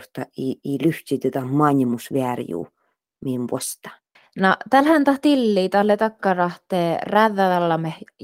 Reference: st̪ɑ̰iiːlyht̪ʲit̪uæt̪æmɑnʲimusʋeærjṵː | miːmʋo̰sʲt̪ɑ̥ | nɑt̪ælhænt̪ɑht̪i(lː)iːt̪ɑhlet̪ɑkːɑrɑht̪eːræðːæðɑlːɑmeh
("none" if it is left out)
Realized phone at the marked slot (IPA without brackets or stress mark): lː